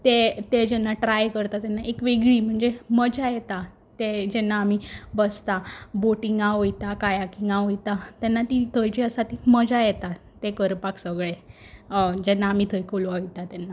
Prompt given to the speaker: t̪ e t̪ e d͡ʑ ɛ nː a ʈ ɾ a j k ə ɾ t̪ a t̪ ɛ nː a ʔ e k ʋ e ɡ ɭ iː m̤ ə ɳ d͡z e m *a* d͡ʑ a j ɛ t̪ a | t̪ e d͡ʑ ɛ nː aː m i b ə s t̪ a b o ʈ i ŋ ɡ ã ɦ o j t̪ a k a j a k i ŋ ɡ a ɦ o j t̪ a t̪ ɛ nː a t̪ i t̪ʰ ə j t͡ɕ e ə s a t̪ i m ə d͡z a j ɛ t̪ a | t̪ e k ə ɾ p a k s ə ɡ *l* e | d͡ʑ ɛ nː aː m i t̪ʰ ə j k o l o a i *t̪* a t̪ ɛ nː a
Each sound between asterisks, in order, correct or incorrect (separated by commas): incorrect, incorrect, correct